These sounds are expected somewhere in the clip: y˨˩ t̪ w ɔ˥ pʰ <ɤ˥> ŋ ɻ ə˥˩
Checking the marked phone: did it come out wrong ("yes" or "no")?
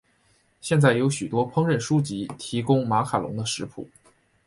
no